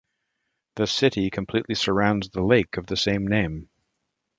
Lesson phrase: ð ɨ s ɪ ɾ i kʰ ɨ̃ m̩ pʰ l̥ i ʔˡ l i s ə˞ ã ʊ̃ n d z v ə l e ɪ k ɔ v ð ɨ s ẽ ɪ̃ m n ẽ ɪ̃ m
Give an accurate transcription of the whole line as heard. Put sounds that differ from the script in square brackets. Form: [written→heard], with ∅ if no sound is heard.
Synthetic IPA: ð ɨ s ɪ ɾ i kʰ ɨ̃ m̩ pʰ l̥ i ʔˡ l i s ə˞ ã ʊ̃ n d z [v→ð] ə l e ɪ k [ɔ→ʌ] v ð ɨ s ẽ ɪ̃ m n ẽ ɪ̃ m